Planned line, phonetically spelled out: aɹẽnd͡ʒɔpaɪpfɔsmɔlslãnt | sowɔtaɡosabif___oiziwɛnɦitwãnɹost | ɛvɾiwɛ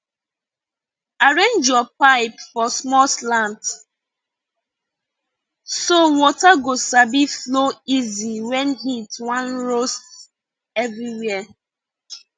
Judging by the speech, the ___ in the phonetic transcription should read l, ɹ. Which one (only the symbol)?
l